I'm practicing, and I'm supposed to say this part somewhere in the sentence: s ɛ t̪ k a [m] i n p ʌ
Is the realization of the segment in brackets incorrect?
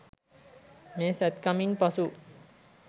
no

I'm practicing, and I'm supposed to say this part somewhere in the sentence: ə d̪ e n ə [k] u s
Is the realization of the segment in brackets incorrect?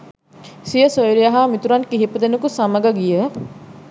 no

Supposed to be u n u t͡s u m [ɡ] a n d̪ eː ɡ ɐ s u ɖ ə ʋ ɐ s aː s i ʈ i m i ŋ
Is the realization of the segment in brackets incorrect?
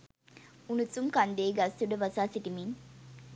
yes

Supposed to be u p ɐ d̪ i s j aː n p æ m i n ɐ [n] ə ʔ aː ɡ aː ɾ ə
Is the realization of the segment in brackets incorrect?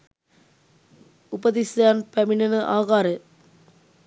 no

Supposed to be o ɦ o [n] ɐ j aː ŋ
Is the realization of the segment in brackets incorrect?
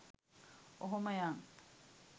yes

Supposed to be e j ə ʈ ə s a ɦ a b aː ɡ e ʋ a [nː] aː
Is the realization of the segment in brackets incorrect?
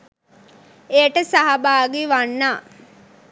no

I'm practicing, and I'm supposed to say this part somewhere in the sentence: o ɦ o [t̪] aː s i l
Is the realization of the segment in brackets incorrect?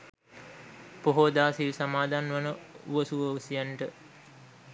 yes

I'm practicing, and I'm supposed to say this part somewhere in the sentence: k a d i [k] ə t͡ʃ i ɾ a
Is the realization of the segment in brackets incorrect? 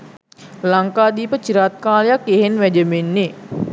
yes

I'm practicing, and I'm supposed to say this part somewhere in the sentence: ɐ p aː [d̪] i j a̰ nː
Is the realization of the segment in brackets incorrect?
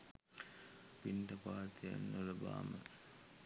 yes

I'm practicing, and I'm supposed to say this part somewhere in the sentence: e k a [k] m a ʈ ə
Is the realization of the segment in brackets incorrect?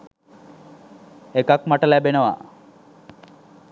no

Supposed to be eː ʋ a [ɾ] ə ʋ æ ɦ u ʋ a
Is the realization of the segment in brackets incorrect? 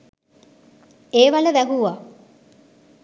yes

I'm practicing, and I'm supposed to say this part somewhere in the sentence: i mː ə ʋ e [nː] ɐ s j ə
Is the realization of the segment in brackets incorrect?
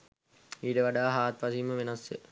yes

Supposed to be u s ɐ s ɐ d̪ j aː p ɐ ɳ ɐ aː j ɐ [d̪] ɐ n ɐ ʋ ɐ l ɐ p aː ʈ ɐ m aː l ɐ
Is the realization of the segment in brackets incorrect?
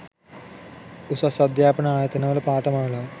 yes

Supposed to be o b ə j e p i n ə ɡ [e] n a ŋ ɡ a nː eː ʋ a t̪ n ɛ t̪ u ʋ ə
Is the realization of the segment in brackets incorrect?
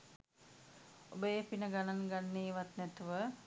yes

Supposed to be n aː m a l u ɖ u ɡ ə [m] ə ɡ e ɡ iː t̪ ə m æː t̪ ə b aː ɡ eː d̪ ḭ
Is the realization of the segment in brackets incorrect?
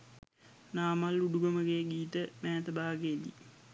no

